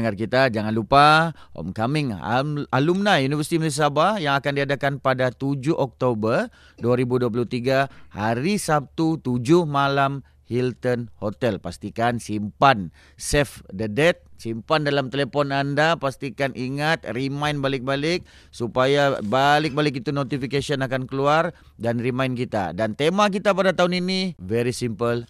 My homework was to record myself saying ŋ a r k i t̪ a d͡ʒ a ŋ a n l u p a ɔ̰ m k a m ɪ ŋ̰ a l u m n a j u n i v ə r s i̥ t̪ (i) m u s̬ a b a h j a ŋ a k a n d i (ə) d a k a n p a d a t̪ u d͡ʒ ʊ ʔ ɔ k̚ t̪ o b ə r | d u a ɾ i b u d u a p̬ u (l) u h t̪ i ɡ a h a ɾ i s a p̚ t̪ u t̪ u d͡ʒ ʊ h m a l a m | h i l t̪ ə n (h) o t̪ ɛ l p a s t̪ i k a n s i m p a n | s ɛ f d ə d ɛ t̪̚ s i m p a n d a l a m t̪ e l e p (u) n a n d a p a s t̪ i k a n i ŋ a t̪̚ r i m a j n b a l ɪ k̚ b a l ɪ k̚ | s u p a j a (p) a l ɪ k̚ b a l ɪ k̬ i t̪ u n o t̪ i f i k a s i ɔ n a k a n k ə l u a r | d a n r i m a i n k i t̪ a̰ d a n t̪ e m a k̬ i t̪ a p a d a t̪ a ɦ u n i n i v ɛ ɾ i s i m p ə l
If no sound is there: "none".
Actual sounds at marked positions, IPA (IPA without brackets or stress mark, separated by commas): i, a, l, h, ɔ, b